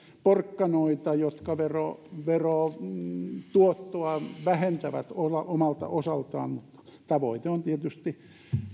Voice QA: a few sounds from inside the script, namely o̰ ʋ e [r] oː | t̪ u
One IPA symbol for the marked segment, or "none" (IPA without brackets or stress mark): r